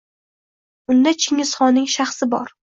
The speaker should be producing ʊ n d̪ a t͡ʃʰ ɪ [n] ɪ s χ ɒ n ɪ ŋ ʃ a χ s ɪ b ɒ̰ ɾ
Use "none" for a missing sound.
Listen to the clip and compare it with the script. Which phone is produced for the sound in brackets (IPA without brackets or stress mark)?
ŋ